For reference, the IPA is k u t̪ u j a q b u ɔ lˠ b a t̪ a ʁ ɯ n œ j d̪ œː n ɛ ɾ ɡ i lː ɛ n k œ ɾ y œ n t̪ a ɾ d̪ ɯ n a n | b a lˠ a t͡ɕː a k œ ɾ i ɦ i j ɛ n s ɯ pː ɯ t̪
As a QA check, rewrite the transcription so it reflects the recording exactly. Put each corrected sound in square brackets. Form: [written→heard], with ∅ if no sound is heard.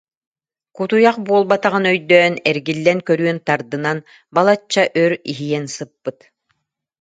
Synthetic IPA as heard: k u t̪ u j a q b u ɔ lˠ b a t̪ a ʁ ɯ n œ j d̪ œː n ɛ ɾ ɡ i lː ɛ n k œ ɾ y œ n t̪ a ɾ d̪ ɯ n a n | b a lˠ a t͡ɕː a [k→ʔ] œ ɾ i ɦ i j ɛ n s ɯ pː ɯ t̪